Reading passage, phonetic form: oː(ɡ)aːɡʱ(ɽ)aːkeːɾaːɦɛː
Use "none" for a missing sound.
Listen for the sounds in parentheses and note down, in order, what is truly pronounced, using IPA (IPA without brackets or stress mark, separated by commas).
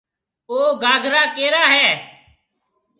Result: ɡ, ɾ